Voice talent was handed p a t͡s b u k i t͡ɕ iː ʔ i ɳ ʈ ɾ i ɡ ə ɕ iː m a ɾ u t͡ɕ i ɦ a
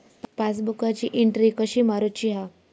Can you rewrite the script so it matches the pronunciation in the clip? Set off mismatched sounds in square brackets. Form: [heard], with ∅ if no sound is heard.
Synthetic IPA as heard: p a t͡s b u k [a] t͡ɕ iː ʔ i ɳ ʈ ɾ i [k] ə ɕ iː m a ɾ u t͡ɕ i ɦ a